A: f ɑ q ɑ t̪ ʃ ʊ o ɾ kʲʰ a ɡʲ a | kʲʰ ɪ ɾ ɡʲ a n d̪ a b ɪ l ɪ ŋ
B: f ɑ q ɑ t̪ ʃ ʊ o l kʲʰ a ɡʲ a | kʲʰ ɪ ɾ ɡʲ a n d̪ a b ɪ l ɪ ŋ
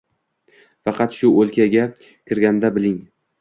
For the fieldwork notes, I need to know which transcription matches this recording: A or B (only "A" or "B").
B